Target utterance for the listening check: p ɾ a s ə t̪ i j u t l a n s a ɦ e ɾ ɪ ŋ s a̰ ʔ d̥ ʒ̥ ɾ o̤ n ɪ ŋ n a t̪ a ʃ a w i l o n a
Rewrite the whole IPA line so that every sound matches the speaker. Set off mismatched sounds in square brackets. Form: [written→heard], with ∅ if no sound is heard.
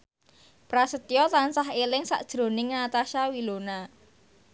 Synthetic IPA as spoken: p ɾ a s ə t̪ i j [u→ɔ] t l a n s a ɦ e [ɾ→l] ɪ ŋ s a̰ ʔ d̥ ʒ̥ ɾ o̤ n ɪ ŋ n a t̪ a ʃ a w i l o n a